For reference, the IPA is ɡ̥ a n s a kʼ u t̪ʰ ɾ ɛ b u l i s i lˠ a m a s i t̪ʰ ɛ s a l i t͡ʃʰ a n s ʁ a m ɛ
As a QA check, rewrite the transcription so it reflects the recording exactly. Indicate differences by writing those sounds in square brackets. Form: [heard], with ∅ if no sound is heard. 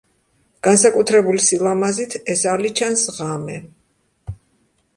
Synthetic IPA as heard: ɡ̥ a n s a kʼ u t̪ʰ ɾ ɛ b u l i s i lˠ a m a [z] i t̪ʰ ɛ s a l i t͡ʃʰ a n s ʁ a m ɛ

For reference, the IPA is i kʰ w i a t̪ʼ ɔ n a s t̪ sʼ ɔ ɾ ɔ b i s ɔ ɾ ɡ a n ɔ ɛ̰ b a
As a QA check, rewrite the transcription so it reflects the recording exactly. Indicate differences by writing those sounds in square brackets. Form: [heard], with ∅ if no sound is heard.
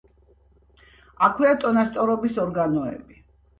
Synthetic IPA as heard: [a] kʰ w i a t̪ʼ ɔ n a s t̪ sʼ ɔ ɾ ɔ b i s ɔ ɾ ɡ a n ɔ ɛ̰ b [i]

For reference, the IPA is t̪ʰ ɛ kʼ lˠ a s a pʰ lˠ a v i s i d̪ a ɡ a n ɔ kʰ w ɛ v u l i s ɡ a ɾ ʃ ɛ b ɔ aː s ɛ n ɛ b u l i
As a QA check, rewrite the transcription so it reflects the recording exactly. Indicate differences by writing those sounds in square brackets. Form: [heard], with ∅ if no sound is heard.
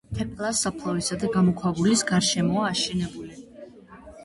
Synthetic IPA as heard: t̪ʰ ɛ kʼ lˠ a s a pʰ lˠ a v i s [a] d̪ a ɡ a [m] ɔ kʰ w [a] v u l i s ɡ a ɾ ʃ ɛ [m] ɔ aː [ʃ] ɛ n ɛ b u l i

